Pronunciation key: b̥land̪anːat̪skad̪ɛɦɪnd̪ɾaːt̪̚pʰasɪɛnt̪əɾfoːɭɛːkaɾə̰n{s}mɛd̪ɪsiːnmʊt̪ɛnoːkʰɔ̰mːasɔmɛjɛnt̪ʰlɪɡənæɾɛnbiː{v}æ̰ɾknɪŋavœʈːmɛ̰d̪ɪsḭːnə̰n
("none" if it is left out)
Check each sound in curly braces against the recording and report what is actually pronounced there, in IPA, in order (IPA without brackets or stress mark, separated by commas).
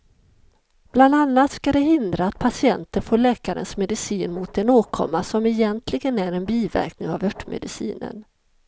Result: s, v